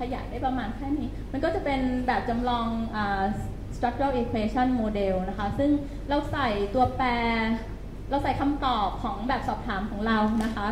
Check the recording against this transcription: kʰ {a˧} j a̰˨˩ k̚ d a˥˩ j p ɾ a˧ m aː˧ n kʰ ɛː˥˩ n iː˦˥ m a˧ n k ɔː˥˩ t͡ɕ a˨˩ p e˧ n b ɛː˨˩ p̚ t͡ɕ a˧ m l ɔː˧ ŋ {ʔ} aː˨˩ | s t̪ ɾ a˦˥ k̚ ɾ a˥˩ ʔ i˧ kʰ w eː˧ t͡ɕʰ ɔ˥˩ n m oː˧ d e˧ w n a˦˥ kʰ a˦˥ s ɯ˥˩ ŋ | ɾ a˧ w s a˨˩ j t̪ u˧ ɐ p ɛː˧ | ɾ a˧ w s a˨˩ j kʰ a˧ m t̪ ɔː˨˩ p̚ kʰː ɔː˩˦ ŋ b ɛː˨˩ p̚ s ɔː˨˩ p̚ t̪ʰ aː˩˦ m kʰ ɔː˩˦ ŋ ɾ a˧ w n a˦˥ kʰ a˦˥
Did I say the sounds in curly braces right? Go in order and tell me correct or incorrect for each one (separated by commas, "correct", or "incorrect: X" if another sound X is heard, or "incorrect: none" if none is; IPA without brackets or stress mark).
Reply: correct, correct